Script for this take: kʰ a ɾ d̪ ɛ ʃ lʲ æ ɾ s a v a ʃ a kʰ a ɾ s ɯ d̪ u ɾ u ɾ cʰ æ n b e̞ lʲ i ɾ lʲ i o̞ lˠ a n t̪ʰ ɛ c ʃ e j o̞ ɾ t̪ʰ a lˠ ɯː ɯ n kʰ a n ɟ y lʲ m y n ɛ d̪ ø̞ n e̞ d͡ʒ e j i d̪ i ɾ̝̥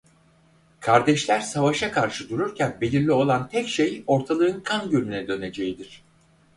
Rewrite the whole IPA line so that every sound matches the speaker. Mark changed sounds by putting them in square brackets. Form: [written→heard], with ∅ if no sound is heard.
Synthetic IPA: kʰ a ɾ d̪ ɛ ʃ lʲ æ ɾ s a v a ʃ a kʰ a ɾ [s→ʃ] ɯ d̪ u ɾ u ɾ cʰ æ n b e̞ lʲ i ɾ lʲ i o̞ lˠ a n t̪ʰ ɛ c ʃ e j o̞ ɾ t̪ʰ a lˠ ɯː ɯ n kʰ a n ɟ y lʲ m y n ɛ d̪ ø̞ n e̞ d͡ʒ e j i d̪ i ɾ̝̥